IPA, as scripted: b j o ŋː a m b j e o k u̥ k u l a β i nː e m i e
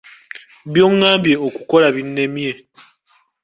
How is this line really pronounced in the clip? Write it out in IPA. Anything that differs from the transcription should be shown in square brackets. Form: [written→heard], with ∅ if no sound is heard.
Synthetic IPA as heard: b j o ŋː a m b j e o k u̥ k [u→o] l a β i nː e m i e